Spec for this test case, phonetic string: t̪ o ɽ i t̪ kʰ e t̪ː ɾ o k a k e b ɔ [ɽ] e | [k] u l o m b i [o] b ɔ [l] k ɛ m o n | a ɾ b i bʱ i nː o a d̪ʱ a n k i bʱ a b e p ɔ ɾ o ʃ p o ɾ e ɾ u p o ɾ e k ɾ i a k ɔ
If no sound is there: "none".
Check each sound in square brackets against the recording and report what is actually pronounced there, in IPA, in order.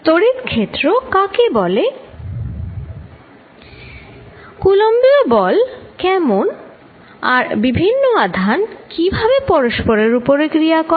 l, k, o, l

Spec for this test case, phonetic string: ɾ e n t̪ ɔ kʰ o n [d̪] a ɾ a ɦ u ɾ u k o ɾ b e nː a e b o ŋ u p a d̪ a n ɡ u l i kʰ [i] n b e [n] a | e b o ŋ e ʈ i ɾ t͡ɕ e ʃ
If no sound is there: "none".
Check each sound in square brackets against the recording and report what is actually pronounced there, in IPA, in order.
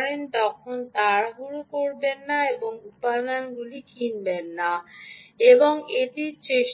t̪, i, nː

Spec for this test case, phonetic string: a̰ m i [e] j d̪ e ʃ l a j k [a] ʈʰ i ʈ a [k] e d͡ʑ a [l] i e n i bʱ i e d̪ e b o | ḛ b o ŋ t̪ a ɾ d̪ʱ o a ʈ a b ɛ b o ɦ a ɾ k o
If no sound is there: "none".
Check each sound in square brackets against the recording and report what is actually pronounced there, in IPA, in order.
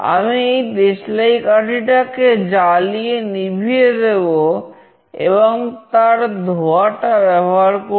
e, a, k, l

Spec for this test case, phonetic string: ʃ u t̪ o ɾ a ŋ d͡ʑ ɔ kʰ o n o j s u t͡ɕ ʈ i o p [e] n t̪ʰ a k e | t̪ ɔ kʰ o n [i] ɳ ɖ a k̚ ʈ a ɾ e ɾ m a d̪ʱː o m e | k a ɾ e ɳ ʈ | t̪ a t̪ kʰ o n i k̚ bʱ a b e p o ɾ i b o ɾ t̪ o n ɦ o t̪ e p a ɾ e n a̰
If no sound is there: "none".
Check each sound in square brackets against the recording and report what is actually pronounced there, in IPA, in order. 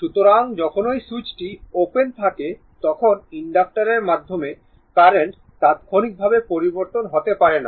e, i

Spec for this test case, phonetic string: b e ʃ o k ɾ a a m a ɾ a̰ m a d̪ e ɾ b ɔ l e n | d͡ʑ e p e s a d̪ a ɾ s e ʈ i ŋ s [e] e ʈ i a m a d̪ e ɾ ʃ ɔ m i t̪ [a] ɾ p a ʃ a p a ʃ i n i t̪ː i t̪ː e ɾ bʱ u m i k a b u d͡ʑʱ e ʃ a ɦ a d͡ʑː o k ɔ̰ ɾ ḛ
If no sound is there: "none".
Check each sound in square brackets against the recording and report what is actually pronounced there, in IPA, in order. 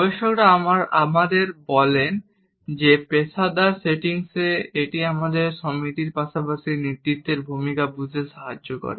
e, i

